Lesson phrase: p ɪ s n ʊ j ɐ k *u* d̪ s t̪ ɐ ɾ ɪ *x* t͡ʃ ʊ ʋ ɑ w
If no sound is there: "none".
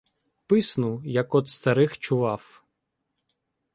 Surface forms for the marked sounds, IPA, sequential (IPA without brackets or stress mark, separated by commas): ɔ, x